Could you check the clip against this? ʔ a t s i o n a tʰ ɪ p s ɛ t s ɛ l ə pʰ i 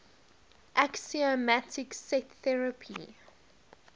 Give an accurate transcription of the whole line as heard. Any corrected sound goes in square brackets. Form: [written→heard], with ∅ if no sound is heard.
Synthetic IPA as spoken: ʔ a [t→k] s i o [n→m] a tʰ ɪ [p→k] s ɛ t [s→θ] ɛ [l→ɹ] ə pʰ i